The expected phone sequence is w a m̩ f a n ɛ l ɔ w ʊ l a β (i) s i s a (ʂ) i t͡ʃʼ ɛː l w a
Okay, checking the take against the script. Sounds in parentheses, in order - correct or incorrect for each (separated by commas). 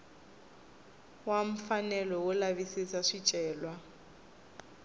correct, correct